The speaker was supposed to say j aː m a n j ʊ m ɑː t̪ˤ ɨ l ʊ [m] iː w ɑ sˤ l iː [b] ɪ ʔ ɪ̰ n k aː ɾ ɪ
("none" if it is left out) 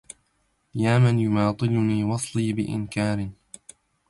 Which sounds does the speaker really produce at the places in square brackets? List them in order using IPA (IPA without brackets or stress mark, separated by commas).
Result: n, b